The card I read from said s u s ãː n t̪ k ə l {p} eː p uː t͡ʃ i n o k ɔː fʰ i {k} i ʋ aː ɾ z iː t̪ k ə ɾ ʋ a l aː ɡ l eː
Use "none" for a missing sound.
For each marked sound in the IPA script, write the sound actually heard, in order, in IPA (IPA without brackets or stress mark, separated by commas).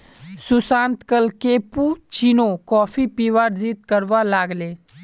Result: k, p